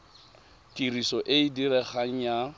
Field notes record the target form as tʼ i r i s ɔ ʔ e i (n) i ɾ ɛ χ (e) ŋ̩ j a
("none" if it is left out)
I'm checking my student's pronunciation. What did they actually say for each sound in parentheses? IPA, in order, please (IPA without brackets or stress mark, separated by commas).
d, a